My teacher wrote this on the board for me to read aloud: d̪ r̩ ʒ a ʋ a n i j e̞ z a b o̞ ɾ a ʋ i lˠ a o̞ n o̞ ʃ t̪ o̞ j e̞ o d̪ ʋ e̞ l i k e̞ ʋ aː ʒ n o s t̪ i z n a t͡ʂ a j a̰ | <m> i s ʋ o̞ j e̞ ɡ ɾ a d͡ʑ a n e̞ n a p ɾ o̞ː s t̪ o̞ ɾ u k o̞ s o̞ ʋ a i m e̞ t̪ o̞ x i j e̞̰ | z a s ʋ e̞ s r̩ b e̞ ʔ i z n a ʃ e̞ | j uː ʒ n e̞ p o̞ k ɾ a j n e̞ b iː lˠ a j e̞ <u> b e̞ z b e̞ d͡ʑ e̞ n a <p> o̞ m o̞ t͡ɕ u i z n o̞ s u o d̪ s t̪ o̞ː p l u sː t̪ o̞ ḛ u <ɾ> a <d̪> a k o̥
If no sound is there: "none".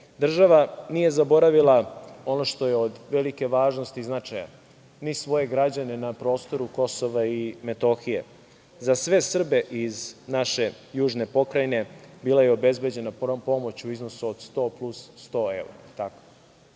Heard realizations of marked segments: n, o, p, ɾ, t̪

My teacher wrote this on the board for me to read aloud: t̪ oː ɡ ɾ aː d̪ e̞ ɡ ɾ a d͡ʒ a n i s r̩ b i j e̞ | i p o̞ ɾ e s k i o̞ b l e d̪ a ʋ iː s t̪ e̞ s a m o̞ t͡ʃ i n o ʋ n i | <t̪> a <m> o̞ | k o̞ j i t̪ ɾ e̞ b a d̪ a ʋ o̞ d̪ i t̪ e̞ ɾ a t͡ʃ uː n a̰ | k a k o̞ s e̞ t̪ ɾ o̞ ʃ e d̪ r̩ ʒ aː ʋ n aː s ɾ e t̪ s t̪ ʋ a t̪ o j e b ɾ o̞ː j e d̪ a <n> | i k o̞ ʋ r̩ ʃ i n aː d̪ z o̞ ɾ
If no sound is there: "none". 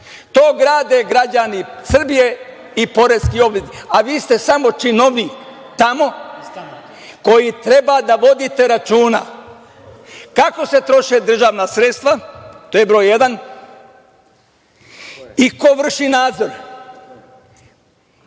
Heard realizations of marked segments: t̪, m, n

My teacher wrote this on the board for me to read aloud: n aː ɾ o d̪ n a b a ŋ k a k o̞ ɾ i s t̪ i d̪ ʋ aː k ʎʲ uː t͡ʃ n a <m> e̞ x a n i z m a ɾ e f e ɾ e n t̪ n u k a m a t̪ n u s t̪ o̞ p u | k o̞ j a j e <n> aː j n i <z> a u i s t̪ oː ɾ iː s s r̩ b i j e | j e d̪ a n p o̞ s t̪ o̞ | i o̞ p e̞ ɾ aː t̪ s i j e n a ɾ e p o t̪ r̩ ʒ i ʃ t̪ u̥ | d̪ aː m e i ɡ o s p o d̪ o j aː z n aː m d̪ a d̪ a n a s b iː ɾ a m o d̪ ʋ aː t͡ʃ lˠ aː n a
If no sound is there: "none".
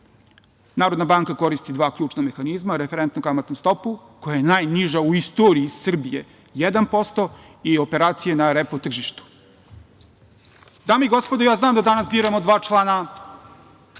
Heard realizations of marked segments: m, n, ʒ

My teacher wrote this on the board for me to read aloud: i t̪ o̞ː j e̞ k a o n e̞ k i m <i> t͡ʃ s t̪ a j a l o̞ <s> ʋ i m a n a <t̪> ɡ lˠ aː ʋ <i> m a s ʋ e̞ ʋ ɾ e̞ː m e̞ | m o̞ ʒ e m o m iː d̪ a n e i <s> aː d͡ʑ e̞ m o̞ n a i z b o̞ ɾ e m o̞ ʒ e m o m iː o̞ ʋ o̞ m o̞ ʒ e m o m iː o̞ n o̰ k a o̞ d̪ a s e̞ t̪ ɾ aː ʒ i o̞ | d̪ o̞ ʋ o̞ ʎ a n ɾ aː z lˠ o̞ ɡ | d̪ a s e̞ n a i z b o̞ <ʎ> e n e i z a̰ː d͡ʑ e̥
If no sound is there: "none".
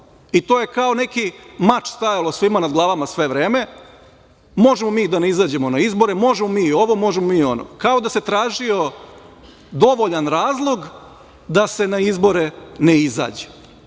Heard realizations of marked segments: a, s, d̪, a, z, ɾ

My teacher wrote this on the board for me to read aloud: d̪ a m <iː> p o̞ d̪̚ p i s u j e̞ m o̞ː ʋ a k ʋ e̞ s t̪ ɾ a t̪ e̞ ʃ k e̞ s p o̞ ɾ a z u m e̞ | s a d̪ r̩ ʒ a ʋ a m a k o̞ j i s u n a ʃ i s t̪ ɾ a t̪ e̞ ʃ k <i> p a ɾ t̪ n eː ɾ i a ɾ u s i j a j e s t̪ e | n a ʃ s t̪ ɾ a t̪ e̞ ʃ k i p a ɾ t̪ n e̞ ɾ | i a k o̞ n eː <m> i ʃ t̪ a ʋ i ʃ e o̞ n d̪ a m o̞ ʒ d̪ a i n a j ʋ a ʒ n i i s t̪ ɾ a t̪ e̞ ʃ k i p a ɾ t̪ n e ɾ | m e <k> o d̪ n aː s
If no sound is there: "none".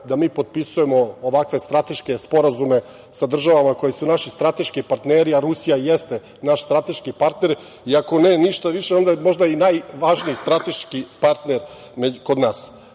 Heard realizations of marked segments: iː, i, n, k

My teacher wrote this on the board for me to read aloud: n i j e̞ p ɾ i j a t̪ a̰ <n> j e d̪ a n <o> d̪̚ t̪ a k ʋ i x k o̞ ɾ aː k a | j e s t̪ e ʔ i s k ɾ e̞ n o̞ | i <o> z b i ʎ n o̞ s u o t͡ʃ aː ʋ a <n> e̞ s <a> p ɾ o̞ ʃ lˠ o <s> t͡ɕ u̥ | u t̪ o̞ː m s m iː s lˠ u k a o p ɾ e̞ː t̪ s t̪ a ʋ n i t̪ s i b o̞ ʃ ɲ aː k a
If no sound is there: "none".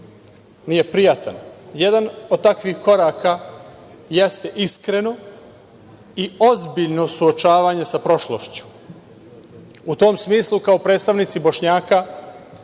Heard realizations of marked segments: n, o, o, ɲ, a, ʃ

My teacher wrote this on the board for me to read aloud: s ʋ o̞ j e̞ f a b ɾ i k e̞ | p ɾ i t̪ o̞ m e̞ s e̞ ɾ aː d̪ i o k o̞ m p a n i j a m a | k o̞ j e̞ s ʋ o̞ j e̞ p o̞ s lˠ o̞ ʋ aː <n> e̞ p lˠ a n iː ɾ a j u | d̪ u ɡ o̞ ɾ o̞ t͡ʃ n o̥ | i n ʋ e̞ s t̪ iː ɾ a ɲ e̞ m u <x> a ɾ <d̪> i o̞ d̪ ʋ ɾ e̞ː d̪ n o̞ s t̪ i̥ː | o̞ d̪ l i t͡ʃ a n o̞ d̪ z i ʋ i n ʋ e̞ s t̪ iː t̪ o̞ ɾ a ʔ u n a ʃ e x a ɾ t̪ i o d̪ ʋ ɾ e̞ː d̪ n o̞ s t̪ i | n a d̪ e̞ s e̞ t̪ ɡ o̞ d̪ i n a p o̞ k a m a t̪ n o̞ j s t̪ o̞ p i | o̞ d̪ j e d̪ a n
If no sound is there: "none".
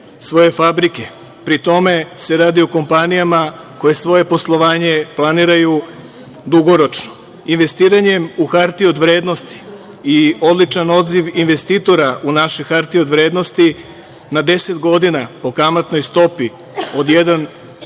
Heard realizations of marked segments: ɲ, x, t̪

